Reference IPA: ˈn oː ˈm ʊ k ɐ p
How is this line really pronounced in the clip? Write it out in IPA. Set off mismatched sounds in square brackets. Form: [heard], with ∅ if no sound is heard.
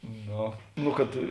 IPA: ˈn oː [ˈn] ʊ k ɐ [t]

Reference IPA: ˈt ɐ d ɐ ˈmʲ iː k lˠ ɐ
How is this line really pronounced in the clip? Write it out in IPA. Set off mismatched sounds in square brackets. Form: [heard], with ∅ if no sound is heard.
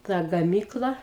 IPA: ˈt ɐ [ɡ] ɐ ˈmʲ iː k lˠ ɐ

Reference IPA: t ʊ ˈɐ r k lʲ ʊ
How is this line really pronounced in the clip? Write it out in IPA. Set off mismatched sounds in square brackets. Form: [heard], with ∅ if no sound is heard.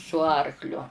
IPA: [s] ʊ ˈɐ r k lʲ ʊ

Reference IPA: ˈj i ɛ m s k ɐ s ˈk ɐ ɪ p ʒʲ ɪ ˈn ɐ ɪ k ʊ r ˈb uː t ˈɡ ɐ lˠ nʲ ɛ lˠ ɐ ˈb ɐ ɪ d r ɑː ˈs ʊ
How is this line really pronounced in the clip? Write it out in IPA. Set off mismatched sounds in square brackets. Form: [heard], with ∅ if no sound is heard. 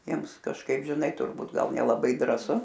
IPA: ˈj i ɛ m s k ɐ [ʃ] ˈk ɐ ɪ p ʒʲ ɪ ˈn ɐ ɪ [t] ʊ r ˈb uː t ˈɡ ɐ lˠ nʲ ɛ lˠ ɐ ˈb ɐ ɪ d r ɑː ˈs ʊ

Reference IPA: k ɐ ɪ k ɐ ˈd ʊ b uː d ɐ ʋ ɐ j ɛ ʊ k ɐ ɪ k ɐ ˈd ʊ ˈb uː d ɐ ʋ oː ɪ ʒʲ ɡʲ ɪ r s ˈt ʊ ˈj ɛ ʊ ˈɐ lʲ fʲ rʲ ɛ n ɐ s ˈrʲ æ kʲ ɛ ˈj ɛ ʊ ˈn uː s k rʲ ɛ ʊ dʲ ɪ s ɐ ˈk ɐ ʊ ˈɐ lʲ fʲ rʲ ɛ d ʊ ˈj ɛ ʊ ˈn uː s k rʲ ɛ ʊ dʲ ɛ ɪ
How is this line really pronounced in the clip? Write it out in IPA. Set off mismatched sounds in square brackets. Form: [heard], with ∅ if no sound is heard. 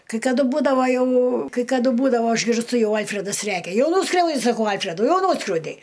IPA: k ɐ ɪ k ɐ ˈd ʊ b uː d ɐ ʋ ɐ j ɛ ʊ k ɐ ɪ k ɐ ˈd ʊ ˈb uː d ɐ ʋ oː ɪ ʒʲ ɡʲ ɪ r s ˈt ʊ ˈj ɛ ʊ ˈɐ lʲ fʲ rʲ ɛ [d] ɐ s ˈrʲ æ kʲ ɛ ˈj ɛ ʊ ˈn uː s k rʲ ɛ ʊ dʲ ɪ s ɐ ˈk ɐ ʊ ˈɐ lʲ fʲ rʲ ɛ d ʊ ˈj ɛ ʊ ˈn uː s k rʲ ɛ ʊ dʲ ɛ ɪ

